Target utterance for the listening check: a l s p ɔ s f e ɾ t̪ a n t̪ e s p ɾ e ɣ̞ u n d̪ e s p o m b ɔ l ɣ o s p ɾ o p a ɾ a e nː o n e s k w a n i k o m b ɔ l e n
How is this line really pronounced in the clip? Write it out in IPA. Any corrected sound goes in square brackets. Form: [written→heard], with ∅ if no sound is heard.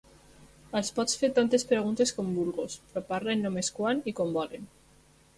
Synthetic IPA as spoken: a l s p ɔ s f e ɾ t̪ a n t̪ e s p ɾ e ɣ̞ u n [d̪→t̪] e s [p→k] o m b [ɔ→u] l ɣ o s p ɾ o p a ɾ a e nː o [n→m] e s k w a n i k o m b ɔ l e n